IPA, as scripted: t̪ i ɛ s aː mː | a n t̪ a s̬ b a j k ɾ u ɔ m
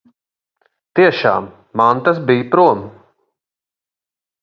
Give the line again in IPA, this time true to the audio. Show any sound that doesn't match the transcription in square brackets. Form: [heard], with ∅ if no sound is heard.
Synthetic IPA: t̪ i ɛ [ʃ] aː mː | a n t̪ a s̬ b [i] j [p] ɾ u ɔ m